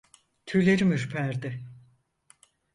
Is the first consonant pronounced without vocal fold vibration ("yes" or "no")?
yes